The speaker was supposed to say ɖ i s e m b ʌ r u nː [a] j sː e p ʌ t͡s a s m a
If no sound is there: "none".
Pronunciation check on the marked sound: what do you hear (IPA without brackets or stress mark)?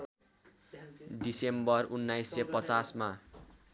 a